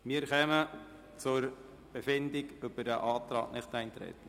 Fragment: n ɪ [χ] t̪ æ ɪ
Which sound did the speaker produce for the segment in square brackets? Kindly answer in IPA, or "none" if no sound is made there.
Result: χ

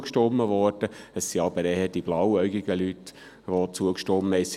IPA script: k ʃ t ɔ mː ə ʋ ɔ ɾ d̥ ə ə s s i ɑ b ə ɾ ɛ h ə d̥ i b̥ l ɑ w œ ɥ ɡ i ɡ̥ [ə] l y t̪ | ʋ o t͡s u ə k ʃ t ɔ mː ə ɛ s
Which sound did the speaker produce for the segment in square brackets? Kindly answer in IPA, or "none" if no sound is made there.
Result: ə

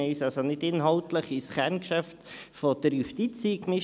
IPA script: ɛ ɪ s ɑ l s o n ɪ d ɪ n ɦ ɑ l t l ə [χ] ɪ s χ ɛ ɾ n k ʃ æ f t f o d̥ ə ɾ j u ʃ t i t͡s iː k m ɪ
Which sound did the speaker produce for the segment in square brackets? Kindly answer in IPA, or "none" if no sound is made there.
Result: χ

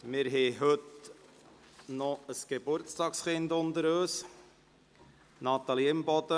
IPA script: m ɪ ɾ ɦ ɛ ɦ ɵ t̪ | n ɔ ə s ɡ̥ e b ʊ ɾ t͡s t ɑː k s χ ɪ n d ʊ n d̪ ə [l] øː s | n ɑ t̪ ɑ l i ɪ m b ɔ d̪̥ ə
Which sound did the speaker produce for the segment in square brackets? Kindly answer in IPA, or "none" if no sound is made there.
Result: ɾ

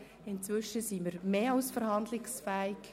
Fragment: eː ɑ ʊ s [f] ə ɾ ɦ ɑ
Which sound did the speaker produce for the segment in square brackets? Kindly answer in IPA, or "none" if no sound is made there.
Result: f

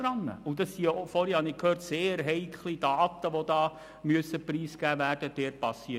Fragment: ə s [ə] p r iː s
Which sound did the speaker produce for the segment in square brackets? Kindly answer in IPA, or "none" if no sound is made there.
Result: ə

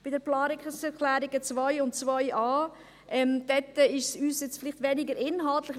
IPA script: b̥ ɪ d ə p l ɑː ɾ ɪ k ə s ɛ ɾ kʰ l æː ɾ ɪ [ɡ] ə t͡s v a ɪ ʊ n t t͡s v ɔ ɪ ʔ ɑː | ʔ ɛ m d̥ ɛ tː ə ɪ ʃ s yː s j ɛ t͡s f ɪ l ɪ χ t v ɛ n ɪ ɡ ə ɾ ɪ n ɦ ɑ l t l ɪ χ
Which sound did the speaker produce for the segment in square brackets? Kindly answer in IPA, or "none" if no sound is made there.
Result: ɡ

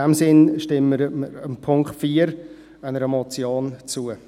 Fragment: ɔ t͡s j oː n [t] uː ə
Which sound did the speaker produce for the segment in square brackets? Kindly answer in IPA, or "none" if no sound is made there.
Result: t͡s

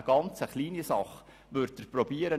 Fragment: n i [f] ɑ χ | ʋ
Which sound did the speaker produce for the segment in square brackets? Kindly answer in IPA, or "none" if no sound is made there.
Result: s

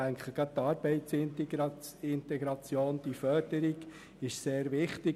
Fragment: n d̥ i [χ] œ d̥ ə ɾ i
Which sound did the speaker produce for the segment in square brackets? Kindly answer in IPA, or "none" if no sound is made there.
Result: f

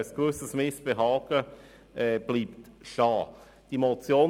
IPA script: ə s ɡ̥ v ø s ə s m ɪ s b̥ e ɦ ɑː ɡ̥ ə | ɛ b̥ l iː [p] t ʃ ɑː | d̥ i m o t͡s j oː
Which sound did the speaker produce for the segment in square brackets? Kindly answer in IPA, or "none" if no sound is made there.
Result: p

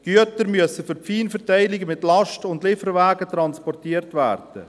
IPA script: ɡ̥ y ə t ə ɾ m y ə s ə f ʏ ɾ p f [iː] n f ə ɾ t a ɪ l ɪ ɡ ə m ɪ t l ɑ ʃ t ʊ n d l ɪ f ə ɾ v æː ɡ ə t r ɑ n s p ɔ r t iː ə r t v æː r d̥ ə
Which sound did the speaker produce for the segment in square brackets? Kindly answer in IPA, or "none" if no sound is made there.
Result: iː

